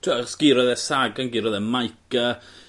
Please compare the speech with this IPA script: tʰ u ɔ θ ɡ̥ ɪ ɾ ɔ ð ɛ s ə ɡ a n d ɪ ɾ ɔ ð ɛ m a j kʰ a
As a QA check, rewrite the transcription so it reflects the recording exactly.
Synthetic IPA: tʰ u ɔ s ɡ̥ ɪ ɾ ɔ ð ɛ s a ɡ a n ɡ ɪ ɾ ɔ ð ɛ m a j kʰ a